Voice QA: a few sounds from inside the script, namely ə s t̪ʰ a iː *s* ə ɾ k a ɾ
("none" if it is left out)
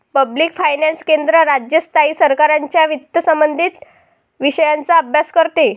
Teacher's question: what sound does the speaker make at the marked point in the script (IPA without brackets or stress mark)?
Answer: s